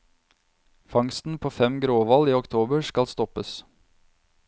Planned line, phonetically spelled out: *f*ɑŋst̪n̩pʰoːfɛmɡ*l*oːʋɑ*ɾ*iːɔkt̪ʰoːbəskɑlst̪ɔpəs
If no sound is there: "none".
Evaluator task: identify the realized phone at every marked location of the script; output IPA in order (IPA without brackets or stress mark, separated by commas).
f, ɾ, l